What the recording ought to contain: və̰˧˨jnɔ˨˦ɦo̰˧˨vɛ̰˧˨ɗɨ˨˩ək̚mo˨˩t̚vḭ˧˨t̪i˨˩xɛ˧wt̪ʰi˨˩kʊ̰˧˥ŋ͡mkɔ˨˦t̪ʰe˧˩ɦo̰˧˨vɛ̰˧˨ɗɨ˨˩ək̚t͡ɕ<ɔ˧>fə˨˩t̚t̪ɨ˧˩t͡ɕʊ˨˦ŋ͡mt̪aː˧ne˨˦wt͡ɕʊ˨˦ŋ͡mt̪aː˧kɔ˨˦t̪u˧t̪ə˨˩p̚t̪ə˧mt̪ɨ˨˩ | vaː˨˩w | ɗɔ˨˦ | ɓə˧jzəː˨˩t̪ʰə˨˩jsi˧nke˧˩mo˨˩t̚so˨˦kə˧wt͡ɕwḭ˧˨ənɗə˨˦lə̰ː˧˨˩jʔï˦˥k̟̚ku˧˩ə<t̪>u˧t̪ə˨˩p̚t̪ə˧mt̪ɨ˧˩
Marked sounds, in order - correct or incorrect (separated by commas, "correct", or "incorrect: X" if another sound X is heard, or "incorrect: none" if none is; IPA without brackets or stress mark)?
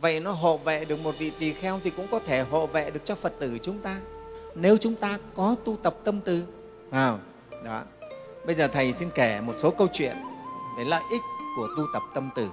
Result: correct, correct